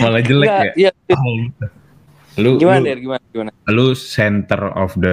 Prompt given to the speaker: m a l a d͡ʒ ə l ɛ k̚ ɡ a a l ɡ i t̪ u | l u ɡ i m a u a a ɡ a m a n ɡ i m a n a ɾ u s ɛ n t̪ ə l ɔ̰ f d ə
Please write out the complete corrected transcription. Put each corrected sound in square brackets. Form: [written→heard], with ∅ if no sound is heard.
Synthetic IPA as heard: m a l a d͡ʒ ə l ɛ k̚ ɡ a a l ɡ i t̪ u | l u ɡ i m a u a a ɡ [a→i] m a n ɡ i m a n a [ɾ→l] u s ɛ n t̪ ə [l→r] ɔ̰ f d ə